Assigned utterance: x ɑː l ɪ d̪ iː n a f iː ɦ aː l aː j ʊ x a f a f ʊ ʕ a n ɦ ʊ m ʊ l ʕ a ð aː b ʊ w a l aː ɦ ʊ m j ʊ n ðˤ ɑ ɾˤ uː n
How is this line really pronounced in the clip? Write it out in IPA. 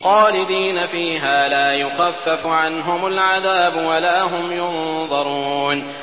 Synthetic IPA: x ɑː l ɪ d̪ iː n a f iː ɦ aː l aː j ʊ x a fː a f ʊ ʕ a n ɦ ʊ m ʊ l ʕ a ð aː b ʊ w a l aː ɦ ʊ m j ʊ n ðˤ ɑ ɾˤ uː n